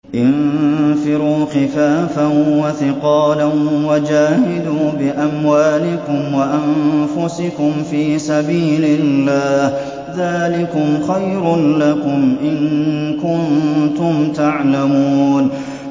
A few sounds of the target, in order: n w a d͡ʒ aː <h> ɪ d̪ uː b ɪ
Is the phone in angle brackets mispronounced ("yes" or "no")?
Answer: no